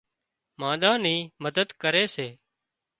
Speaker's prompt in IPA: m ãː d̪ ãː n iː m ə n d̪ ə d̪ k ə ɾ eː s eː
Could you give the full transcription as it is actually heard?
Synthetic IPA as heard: m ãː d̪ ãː n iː m ə d̪ ə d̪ k ə ɾ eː s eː